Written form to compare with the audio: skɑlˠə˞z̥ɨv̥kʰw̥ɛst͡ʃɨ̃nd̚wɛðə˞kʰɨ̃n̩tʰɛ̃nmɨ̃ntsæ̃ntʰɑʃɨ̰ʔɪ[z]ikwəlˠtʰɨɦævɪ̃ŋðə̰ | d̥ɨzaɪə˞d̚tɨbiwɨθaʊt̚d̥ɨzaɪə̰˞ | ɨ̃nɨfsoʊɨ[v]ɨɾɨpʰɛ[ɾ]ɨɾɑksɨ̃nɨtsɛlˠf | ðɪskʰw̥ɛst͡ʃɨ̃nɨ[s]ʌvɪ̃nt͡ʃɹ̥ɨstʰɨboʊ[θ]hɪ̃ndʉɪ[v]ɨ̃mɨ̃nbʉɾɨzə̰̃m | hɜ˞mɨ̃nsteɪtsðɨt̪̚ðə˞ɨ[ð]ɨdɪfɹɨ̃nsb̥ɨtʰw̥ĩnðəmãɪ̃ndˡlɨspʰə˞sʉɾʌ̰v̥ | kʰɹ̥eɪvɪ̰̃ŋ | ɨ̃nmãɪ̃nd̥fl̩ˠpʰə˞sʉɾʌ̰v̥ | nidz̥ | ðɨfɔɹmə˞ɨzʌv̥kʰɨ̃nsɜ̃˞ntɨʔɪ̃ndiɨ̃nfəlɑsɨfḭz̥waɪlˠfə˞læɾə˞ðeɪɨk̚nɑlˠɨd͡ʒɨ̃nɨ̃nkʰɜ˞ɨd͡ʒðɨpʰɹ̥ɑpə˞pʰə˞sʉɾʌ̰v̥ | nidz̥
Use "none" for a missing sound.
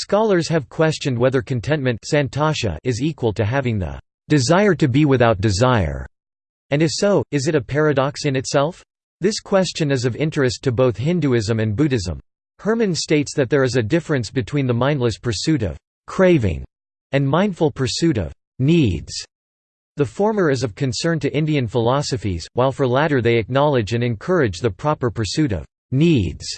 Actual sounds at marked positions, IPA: z, z, ɹ, z, θ, z, z

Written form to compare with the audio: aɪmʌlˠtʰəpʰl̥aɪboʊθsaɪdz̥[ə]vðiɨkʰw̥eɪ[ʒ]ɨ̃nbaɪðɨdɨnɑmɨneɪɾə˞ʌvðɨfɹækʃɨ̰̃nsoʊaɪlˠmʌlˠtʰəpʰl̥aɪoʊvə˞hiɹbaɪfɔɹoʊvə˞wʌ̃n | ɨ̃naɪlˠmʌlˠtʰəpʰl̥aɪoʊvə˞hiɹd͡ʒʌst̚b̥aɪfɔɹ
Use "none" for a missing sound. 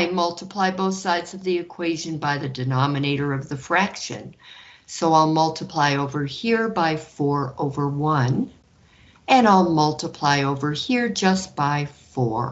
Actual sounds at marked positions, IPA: ʌ, ʒ

